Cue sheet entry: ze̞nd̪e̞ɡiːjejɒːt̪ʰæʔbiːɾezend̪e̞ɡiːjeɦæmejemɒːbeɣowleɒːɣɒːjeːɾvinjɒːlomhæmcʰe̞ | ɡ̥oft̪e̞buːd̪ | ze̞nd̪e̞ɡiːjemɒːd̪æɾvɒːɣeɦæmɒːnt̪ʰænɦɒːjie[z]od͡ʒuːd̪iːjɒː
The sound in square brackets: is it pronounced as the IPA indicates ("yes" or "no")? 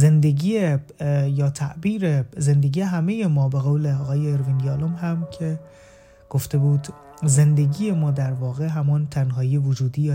no